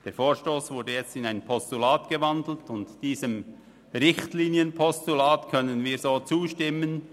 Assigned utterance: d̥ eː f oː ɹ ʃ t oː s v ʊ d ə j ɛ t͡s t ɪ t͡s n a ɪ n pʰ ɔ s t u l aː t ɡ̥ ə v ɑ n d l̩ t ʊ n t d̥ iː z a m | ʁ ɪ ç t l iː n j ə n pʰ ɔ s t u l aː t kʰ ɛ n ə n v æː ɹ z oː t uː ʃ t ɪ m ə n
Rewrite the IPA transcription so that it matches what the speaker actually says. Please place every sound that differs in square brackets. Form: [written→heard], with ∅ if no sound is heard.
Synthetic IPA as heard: d̥ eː f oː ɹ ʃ t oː s v ʊ d ə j ɛ t͡s t ɪ [t͡s→∅] n a ɪ n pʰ ɔ s t u l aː t ɡ̥ ə v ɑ n d l̩ t ʊ n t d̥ iː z [a→ə] m | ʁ ɪ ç t l iː n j ə n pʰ ɔ s t u l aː t kʰ [ɛ→œ] n ə n v [æː→iː] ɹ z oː [t→t͡s] uː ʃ t ɪ m ə n